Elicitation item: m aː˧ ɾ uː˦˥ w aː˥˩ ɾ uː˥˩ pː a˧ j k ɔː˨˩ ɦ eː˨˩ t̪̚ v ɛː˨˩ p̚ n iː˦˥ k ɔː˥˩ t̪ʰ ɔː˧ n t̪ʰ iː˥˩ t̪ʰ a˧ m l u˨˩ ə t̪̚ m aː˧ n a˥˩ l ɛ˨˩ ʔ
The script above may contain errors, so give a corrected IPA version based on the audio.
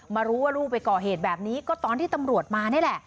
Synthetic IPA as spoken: m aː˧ ɾ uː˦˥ w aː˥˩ ɾ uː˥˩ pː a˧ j k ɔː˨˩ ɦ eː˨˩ t̪̚ b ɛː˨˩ p̚ n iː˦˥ k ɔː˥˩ t̪ ɔː˧ n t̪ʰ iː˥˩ t̪ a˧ m ɾ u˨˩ ə t̪̚ m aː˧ n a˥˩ l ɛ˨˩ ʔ